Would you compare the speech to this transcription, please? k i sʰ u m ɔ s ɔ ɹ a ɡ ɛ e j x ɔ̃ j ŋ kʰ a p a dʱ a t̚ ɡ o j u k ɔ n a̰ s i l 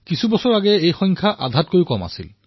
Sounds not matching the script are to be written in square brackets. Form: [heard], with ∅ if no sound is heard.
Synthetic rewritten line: k i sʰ u [b] ɔ s ɔ ɹ a ɡ ɛ e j x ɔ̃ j ŋ kʰ a [ʔ] a dʱ a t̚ [k] o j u k ɔ [m] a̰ s i l

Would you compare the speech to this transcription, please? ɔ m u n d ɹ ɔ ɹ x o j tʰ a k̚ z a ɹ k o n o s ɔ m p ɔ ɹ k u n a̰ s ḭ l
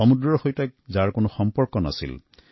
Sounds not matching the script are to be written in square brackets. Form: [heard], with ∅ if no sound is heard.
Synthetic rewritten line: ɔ m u [∅] d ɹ ɔ ɹ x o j [t] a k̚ z a ɹ k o n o [x] ɔ m p ɔ ɹ k [ɔ] n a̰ s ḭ l

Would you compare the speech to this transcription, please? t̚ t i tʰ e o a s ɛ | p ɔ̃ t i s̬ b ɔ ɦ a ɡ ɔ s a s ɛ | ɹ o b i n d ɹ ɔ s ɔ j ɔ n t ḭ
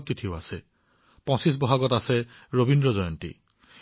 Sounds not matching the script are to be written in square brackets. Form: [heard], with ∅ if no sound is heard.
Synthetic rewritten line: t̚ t i tʰ [i] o a s ɛ | p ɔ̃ [s] i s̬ b ɔ ɦ a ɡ ɔ [t] a s ɛ | ɹ o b i n d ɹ ɔ [z] ɔ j ɔ n t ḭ

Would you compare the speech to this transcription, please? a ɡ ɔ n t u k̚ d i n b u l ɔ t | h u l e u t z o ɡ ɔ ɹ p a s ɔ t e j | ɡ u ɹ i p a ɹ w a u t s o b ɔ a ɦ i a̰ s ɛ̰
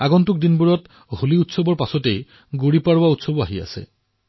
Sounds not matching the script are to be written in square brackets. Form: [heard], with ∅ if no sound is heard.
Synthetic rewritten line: a ɡ ɔ n t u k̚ d i n b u [ɹ] ɔ t | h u l [i] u t [s] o [b] ɔ ɹ p a s ɔ t e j | ɡ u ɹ i p a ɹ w a u t s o b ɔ a ɦ i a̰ s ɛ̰

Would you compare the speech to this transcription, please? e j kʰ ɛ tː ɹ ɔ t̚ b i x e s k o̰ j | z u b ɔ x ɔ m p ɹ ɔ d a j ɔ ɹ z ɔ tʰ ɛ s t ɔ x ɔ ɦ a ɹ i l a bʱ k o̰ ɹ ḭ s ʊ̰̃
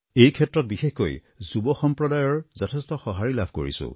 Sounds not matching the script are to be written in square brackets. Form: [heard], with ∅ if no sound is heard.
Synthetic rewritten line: e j kʰ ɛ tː ɹ ɔ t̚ b i x e [x] k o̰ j | z u b ɔ x ɔ m p ɹ ɔ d a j ɔ ɹ z ɔ tʰ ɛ s t ɔ x ɔ ɦ a ɹ i l a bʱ k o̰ ɹ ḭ s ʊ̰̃

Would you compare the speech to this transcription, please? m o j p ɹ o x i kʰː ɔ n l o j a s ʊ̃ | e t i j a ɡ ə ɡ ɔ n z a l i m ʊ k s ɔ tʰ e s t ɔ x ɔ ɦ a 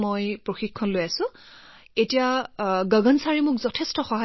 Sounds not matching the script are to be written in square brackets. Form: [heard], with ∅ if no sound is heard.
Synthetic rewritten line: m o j p ɹ o x i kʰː ɔ n l o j a s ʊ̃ | e t i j a ɡ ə ɡ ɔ n [s] a [ɹ] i m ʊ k [z] ɔ tʰ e s t ɔ x ɔ ɦ a

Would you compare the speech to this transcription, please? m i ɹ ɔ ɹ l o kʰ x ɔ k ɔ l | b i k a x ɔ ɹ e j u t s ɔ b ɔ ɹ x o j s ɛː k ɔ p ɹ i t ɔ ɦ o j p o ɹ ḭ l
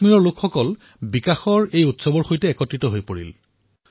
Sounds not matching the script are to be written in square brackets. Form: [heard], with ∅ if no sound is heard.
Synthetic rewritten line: m i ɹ ɔ ɹ l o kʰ x ɔ k ɔ l | b i k a x ɔ ɹ e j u t s ɔ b ɔ ɹ x o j [t] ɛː k ɔ [t] ɹ i t ɔ ɦ o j p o ɹ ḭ l

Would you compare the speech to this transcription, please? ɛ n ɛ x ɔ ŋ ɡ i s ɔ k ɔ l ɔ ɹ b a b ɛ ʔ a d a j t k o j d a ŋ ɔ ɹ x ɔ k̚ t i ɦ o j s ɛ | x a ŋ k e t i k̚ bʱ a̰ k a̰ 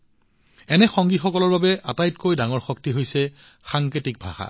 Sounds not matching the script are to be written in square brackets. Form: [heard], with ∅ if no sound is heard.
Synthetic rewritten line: ɛ n ɛ x ɔ ŋ ɡ i [x] ɔ k ɔ l ɔ ɹ b a b ɛ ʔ a [t] a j t k o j d a ŋ ɔ ɹ x ɔ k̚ t i ɦ o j s ɛ | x a ŋ k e t i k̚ bʱ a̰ [x] a̰

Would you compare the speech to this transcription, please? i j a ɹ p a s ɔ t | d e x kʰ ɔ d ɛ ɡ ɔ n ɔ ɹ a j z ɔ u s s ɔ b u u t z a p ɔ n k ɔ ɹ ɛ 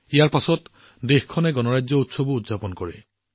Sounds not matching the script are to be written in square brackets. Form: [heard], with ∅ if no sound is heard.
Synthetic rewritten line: i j a ɹ p a s ɔ t | d e x kʰ ɔ [n] ɛ ɡ ɔ n ɔ ɹ a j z ɔ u [t] s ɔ b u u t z a p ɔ n k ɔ ɹ ɛ

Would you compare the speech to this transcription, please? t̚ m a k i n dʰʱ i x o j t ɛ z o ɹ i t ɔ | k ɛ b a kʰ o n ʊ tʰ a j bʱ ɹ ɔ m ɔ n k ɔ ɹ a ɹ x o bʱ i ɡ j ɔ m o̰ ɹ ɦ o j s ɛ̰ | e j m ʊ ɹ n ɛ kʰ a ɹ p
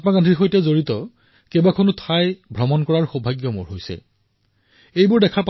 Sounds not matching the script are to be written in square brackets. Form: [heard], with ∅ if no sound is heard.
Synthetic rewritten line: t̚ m a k [a] n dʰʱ i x o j t ɛ z o ɹ i t ɔ | k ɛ b a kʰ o n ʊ tʰ a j bʱ ɹ ɔ m ɔ n k ɔ ɹ a ɹ x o bʱ [a] ɡ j ɔ m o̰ ɹ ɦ o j s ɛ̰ | e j [b] ʊ ɹ [d] ɛ kʰ a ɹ p

